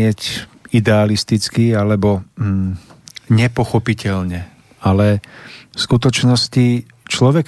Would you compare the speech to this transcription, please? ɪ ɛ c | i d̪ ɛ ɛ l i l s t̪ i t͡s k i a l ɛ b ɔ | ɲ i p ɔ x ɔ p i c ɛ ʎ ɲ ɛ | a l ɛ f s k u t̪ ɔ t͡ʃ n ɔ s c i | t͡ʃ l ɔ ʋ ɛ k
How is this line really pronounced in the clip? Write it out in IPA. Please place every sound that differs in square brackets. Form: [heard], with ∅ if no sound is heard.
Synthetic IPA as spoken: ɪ ɛ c | i d̪ ɛ [a] l i [∅] s t̪ i t͡s k i a l ɛ b ɔ | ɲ [ɛ] p ɔ x ɔ p i c ɛ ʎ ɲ ɛ | a l ɛ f s k u t̪ ɔ t͡ʃ n ɔ s c i | t͡ʃ l ɔ ʋ ɛ k